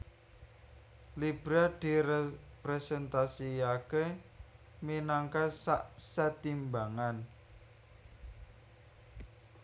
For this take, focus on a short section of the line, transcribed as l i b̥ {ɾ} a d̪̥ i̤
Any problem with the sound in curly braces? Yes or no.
no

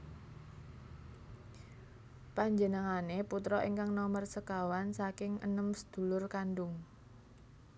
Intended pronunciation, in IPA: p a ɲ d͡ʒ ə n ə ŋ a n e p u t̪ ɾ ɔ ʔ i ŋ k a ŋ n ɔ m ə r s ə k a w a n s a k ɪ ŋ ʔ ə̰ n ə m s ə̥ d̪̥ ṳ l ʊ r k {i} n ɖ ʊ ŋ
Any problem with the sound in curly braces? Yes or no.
yes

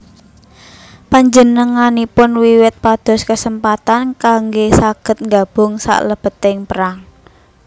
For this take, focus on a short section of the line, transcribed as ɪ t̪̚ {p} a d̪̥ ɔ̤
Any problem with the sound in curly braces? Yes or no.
no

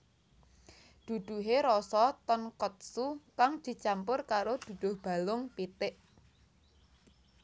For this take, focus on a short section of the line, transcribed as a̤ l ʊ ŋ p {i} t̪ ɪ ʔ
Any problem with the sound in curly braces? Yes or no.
no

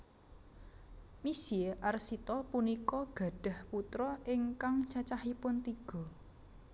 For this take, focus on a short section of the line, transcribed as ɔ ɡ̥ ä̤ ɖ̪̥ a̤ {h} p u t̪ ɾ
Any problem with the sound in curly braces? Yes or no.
no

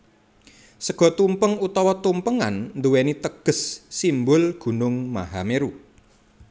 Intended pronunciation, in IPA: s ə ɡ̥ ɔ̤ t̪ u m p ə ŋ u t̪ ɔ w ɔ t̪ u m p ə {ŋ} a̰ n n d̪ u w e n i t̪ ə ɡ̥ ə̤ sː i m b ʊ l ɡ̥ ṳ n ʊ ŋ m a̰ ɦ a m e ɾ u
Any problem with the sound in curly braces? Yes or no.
no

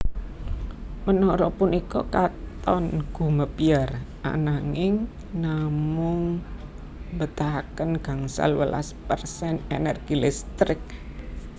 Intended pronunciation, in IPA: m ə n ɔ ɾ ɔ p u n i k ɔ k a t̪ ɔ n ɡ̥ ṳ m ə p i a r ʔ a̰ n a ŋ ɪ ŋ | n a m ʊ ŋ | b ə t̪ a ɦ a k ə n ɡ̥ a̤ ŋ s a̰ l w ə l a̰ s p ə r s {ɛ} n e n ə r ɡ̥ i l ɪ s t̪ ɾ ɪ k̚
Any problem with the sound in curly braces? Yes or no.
no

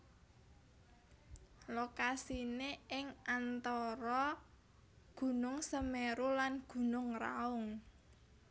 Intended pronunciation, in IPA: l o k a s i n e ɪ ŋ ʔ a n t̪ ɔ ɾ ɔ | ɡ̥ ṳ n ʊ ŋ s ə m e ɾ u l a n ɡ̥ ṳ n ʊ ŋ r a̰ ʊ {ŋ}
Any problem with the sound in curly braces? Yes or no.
no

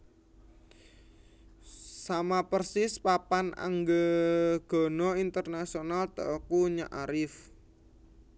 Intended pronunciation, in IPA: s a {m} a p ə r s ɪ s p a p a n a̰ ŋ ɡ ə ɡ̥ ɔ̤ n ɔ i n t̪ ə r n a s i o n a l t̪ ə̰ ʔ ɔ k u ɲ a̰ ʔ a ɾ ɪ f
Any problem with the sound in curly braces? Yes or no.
no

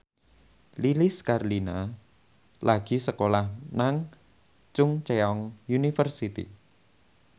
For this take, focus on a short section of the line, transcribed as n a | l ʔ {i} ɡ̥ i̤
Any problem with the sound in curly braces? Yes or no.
yes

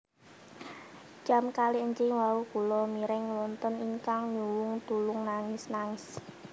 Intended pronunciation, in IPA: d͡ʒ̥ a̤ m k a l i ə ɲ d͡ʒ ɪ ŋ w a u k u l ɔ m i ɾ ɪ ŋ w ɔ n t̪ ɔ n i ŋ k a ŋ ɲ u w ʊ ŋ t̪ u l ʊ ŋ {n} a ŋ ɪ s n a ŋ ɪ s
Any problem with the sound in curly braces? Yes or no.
no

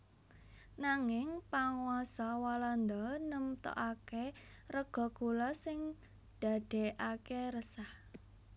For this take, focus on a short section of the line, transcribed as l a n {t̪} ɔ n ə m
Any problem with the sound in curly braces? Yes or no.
yes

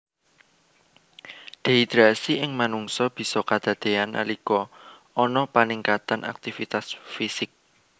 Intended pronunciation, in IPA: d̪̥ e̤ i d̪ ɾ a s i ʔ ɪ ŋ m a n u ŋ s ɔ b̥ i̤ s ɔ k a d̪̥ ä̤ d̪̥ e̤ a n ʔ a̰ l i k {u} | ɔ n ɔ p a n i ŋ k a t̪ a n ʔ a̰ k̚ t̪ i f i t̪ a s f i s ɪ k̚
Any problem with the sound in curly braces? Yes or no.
yes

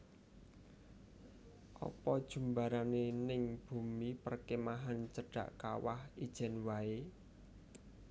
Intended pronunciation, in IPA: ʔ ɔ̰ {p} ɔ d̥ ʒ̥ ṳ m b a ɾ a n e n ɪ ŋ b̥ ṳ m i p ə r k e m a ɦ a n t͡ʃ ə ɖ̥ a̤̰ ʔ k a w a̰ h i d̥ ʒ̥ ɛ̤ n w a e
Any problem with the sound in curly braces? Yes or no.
no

